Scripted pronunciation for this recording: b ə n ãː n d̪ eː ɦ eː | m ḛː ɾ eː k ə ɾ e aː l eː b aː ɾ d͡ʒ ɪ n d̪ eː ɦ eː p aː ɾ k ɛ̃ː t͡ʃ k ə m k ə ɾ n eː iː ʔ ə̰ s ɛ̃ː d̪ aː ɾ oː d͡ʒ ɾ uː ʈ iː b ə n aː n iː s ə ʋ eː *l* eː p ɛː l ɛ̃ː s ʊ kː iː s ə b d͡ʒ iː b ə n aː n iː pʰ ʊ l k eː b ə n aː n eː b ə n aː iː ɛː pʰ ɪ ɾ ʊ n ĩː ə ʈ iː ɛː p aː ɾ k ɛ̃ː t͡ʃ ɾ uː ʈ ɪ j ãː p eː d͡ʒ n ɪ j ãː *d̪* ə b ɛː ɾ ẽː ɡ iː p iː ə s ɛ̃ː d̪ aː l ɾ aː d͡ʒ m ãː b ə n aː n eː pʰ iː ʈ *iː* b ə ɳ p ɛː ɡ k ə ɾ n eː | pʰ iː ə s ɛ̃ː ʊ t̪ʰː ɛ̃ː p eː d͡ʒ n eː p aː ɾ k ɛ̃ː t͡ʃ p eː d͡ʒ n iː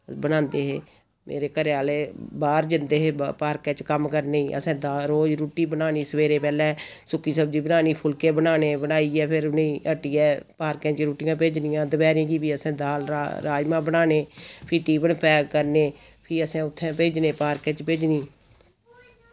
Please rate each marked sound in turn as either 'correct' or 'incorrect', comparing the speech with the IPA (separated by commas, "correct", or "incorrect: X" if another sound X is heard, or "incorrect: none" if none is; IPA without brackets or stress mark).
incorrect: ɾ, correct, correct